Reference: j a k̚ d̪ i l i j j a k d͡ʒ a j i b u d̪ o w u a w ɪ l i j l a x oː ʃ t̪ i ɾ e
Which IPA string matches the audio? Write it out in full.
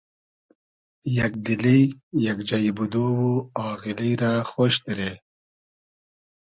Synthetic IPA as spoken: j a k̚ d̪ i l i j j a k d͡ʒ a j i b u d̪ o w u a ɣ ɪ l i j ɾ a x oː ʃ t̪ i ɾ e